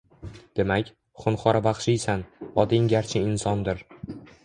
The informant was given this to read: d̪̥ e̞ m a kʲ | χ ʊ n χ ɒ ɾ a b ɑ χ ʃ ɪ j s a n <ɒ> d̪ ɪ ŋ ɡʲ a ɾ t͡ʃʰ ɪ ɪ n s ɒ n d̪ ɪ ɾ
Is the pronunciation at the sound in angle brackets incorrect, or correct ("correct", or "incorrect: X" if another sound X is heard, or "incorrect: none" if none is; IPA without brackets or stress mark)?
correct